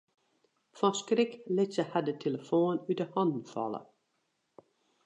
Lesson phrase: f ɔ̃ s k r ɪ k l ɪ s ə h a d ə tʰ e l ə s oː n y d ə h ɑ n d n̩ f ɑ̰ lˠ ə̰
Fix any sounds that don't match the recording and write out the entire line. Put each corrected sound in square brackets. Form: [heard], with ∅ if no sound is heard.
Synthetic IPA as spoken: f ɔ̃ s k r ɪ k l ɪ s ə h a d ə tʰ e l ə [f] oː n y d ə h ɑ n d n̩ f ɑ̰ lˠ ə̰

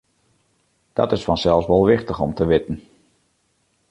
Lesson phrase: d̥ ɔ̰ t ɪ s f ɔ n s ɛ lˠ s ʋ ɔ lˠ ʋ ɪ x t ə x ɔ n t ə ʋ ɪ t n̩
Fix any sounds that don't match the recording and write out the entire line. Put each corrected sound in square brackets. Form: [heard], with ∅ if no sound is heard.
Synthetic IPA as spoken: d̥ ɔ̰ t ɪ s f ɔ n s ɛ lˠ s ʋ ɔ lˠ ʋ ɪ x t ə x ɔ [m] t ə ʋ ɪ t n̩

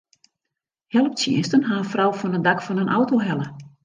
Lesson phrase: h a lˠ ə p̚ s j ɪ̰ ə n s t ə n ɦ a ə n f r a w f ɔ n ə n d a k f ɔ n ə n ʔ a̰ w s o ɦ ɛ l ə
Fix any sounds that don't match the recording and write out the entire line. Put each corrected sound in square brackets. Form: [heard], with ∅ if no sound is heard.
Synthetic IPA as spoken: h [ɛ] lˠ ə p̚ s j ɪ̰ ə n s t ə n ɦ a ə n f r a w f ɔ n ə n d a k f ɔ n ə n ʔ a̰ w [t] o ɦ ɛ l ə

